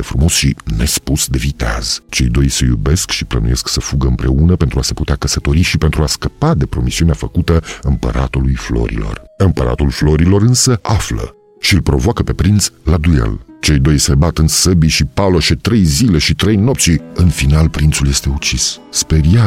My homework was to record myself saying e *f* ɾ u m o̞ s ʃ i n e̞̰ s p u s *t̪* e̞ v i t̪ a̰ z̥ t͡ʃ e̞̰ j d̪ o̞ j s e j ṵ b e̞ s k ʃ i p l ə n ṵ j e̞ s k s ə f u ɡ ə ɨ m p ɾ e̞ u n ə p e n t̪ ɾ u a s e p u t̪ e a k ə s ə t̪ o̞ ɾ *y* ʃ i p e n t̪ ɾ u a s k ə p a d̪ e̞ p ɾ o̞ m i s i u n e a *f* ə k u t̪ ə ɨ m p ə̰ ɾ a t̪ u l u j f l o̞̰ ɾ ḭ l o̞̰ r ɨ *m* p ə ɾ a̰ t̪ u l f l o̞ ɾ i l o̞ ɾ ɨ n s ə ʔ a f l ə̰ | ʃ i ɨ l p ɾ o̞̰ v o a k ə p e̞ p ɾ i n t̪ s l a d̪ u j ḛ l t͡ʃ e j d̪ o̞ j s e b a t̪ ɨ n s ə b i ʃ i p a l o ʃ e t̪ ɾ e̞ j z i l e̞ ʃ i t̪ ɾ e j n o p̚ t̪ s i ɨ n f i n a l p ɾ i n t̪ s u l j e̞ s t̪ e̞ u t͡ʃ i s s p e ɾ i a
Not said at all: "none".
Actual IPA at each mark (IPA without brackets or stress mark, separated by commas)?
f, d̪, i, f, m